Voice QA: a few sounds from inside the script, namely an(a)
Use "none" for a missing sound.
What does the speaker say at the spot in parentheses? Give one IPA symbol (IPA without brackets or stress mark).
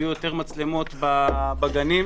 i